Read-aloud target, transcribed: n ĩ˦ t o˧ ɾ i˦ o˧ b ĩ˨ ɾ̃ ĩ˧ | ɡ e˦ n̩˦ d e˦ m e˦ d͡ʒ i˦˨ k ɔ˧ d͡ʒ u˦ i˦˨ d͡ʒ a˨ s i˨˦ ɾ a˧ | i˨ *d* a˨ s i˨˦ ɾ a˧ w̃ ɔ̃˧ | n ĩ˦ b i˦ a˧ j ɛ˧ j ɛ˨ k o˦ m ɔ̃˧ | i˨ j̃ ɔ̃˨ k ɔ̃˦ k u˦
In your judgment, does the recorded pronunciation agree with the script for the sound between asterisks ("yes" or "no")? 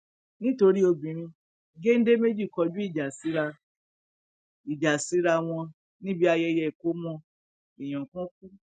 no